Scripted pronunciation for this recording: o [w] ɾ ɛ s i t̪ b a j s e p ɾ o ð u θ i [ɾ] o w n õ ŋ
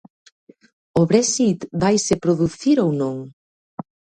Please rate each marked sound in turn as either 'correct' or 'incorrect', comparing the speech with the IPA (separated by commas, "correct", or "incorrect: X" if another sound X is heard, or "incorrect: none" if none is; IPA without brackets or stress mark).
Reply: incorrect: β, correct